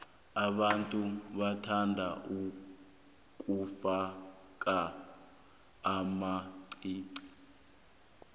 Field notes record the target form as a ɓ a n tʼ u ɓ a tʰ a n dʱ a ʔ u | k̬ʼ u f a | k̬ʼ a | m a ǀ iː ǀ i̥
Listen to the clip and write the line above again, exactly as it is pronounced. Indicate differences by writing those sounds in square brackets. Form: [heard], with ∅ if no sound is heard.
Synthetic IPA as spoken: a ɓ a n tʼ u ɓ a tʰ a n dʱ a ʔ u | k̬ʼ u f a | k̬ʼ a | m a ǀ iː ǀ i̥